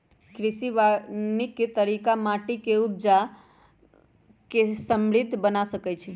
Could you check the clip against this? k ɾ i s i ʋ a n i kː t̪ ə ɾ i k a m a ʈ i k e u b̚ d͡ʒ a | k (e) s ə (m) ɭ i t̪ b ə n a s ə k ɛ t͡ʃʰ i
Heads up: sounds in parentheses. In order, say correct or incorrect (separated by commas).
correct, correct